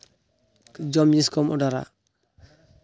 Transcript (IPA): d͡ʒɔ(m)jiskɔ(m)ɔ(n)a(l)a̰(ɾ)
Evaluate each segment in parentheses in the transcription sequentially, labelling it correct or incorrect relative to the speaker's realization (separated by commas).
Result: correct, correct, incorrect, incorrect, incorrect